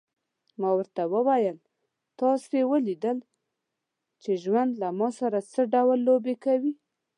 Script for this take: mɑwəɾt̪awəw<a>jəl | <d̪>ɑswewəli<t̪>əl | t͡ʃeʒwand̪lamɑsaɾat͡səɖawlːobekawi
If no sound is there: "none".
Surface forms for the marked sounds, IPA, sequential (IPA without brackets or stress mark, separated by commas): a, t̪, d̪